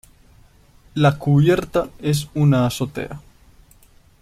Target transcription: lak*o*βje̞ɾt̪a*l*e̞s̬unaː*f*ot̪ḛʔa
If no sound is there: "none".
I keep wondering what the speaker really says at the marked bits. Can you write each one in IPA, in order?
u, none, s

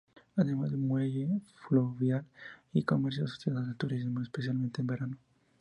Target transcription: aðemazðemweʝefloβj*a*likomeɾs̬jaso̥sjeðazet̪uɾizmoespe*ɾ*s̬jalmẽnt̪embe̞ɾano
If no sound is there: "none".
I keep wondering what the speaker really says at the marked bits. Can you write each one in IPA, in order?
a, none

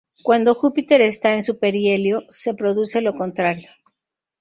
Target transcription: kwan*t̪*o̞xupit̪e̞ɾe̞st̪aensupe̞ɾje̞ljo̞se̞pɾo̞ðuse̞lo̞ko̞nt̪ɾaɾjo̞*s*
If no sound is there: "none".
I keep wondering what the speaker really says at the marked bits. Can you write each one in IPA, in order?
d̪, none

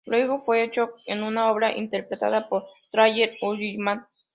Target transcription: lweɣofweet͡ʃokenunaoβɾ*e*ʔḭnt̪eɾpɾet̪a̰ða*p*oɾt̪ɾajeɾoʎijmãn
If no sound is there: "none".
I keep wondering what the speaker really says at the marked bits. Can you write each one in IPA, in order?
a, p

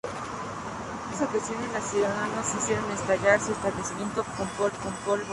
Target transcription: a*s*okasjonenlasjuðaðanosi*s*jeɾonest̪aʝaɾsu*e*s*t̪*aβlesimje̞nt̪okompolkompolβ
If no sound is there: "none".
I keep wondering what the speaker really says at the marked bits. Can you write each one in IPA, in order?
s, s, e, t̪

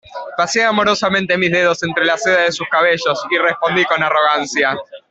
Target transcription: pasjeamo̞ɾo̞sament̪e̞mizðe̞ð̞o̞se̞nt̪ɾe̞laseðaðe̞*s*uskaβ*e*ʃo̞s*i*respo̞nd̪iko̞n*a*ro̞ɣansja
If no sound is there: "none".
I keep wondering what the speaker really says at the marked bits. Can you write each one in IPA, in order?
s, e, i, a

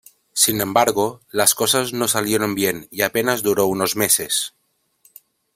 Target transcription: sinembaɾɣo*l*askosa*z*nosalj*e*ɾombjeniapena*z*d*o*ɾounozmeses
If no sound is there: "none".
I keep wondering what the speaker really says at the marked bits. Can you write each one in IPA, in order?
l, z, e, z, u

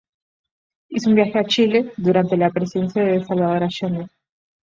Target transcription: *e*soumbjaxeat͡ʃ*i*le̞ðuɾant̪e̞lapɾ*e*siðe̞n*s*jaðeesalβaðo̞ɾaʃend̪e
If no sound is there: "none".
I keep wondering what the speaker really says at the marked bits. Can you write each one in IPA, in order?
i, i, e, s

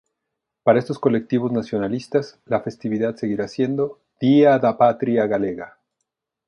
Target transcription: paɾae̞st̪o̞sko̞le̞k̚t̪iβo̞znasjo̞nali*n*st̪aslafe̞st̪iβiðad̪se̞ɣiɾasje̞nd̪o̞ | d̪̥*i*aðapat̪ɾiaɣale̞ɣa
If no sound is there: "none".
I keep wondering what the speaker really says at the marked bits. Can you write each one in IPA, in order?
none, i

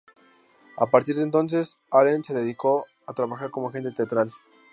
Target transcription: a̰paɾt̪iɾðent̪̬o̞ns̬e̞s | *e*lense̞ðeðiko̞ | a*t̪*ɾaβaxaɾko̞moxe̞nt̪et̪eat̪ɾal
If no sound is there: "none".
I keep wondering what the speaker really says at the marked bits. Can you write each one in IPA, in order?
a, t̪

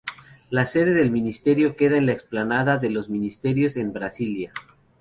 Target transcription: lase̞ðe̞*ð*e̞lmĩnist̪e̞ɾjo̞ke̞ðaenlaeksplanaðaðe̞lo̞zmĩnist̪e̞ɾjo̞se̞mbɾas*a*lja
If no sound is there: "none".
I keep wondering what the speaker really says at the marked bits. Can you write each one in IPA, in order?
ð, i

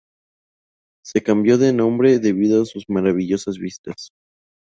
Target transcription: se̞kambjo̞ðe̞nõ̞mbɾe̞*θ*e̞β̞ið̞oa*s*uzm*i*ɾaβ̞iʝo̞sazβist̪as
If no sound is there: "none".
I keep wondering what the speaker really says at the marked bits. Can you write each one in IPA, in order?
ð, s, a

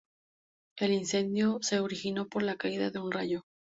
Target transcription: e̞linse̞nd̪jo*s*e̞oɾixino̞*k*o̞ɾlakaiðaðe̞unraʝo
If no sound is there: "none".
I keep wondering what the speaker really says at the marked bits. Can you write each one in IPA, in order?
s, p

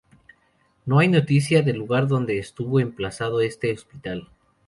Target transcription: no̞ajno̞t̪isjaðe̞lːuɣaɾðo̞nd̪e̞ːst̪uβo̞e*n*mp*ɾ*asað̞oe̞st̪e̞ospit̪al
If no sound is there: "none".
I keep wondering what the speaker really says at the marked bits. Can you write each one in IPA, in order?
none, l

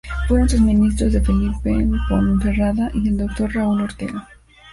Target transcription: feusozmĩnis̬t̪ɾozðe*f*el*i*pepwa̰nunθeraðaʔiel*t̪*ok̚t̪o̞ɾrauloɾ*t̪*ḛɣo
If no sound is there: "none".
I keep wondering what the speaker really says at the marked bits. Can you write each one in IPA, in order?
f, i, d̪, t̪

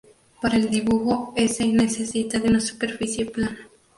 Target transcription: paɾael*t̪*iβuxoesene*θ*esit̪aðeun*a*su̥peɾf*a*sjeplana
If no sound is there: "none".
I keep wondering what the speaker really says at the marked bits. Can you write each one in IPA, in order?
d̪, s, a, i

